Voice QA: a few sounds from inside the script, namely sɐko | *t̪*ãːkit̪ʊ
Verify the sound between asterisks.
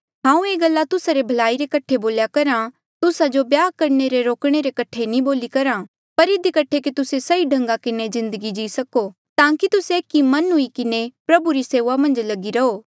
correct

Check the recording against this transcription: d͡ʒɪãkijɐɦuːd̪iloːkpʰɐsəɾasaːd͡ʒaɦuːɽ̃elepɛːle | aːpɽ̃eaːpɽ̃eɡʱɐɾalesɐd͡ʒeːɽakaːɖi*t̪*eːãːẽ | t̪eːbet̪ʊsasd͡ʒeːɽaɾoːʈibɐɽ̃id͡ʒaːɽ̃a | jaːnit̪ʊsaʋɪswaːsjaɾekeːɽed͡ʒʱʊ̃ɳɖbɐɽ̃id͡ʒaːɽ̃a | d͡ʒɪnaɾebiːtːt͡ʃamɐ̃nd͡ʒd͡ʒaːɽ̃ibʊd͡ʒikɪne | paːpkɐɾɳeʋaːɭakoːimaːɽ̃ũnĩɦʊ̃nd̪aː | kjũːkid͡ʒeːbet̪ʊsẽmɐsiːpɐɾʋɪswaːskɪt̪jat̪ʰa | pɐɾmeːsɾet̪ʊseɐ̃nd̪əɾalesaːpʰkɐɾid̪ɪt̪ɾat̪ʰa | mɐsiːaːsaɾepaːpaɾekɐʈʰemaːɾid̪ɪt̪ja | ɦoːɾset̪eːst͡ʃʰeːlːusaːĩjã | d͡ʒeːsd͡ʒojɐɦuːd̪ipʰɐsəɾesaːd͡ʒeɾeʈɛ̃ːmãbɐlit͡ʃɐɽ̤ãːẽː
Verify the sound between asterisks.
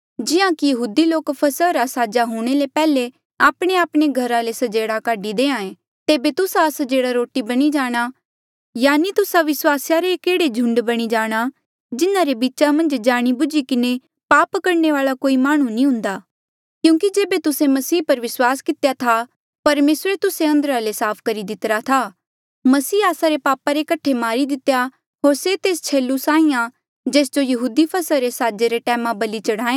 incorrect: d̪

